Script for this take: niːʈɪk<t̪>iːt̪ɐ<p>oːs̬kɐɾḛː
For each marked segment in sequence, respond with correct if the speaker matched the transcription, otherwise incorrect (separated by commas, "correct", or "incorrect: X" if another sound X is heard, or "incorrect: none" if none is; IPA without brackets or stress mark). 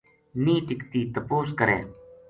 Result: correct, correct